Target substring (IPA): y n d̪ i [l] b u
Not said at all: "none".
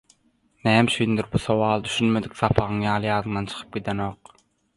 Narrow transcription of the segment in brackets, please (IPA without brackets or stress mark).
ɾ